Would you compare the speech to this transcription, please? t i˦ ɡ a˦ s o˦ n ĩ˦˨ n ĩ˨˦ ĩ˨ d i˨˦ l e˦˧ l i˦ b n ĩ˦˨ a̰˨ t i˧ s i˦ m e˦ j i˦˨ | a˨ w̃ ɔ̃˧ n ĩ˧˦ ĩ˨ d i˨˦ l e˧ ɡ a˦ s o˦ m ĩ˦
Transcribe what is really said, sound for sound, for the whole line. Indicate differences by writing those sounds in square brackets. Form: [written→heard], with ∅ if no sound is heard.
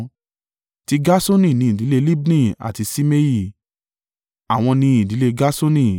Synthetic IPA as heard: t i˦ ɡ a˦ s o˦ n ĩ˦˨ n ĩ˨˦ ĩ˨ d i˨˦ l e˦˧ l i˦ b n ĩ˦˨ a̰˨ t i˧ s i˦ m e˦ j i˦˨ | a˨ w̃ ɔ̃˧ n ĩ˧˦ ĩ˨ d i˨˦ l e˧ ɡ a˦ s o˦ [m→n] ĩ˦

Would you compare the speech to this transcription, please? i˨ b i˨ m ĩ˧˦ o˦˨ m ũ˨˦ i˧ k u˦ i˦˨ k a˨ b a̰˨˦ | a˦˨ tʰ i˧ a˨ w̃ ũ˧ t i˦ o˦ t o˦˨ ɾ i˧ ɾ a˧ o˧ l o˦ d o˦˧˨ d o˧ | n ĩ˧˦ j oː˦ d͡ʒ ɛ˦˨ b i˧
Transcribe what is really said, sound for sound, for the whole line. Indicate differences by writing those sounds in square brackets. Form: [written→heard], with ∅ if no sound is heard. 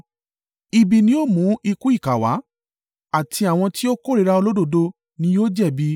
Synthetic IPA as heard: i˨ b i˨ [m→n] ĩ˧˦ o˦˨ m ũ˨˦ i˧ k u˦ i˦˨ k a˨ [b→w] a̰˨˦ | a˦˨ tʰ i˧ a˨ w̃ [ũ˧→ɔ̃˧] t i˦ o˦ [t→k] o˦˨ ɾ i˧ ɾ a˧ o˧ l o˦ d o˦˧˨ d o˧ | n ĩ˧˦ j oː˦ d͡ʒ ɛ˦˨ b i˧

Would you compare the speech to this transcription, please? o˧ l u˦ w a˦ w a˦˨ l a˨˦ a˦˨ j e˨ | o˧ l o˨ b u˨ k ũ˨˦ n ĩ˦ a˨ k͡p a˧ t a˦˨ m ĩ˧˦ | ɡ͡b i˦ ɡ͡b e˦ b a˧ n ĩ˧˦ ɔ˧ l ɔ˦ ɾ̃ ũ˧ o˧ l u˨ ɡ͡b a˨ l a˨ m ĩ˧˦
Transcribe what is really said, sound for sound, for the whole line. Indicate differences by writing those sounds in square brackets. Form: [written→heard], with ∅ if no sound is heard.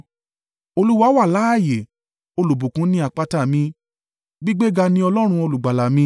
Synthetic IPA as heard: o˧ l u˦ w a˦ w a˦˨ l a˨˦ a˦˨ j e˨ | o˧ l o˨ b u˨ k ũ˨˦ n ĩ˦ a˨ k͡p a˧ t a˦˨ m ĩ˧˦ | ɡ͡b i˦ ɡ͡b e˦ [b→ɡ] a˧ n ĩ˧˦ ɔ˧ l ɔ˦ ɾ̃ ũ˧ o˧ l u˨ ɡ͡b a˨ l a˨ m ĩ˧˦

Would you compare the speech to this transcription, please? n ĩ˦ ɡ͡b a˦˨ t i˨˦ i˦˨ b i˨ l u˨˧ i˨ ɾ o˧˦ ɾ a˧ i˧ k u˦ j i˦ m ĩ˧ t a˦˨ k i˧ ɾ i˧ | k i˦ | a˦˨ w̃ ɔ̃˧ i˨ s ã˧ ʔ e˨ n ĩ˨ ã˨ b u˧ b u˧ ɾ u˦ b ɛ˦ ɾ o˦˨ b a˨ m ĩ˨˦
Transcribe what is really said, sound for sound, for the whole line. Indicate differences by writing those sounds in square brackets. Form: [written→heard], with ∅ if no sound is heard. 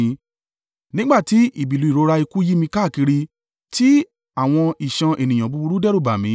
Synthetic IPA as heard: n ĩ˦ ɡ͡b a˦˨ t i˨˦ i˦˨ b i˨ l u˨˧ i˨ ɾ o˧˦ ɾ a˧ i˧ k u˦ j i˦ m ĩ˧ [t→k] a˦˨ k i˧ ɾ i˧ | [k→t] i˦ | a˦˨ w̃ ɔ̃˧ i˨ [s→ʃ] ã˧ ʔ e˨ n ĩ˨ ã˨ b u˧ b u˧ ɾ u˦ [b→d] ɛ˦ ɾ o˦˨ b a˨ m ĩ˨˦

